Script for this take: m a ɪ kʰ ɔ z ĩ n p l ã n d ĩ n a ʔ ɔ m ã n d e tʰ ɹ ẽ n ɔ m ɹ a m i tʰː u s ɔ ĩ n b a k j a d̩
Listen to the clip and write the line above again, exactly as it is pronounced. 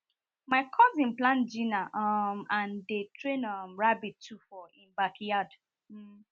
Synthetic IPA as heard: m a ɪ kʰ ɔ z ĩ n p l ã n d͡ʒ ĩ n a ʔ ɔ m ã n d e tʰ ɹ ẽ n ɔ m ɹ a b i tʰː u f ɔ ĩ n b a k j a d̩

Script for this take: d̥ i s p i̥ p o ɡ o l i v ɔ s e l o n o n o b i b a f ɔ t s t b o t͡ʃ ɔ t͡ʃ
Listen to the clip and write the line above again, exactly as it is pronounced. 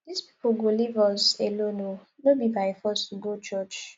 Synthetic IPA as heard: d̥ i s p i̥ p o ɡ o l i v ɔ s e l o n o n o b i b a f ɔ s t ɡ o t͡ʃ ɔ t͡ʃ

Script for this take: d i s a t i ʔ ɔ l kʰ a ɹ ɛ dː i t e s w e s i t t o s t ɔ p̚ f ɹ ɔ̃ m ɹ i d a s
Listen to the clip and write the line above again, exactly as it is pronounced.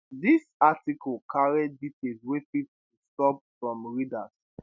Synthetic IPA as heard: d i s a t i k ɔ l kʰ a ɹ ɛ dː i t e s w e f i t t u s t ɔ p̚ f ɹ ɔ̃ m ɹ i d a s

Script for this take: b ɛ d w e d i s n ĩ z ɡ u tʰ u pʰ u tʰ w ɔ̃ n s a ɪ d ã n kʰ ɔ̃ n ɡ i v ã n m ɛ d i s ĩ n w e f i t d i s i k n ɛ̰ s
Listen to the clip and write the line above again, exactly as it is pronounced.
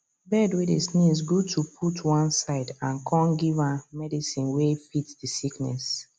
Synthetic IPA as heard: b ɛ d w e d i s n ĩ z ɡ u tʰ u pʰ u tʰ w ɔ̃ n s a ɪ d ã n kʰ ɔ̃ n ɡ i v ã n m ɛ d i s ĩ n w e f i t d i s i k n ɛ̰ s

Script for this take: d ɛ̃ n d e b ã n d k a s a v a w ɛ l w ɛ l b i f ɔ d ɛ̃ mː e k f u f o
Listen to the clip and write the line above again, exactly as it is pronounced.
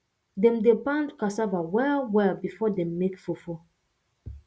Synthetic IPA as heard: d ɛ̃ m d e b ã n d k a s a v a w ɛ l w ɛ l b i f ɔ d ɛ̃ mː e k f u f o

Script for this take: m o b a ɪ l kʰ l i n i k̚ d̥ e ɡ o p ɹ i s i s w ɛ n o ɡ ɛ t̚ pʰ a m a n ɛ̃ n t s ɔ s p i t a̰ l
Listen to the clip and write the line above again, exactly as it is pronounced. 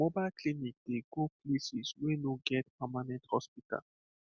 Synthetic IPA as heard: m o b a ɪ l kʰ l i n i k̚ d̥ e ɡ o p l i s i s w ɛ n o ɡ ɛ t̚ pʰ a m a n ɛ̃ n t h ɔ s p i t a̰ l

